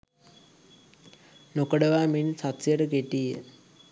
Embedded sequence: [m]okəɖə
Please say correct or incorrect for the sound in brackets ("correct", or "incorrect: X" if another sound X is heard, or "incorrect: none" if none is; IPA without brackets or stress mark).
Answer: incorrect: n